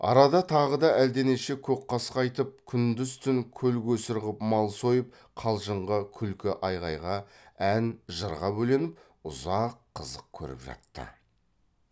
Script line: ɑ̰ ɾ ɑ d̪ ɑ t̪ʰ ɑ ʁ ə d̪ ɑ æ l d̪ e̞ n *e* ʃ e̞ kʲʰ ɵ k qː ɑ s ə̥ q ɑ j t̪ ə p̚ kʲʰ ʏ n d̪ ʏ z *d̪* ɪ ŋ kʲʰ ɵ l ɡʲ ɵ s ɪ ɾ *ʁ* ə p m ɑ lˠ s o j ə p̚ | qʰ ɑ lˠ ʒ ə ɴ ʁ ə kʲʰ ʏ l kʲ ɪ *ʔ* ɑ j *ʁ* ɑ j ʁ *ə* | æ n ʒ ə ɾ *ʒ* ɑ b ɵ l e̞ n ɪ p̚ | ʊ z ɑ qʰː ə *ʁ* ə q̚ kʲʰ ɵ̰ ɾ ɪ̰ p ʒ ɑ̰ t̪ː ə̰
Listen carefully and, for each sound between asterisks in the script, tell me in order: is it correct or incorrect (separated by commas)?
correct, incorrect, correct, correct, correct, incorrect, incorrect, incorrect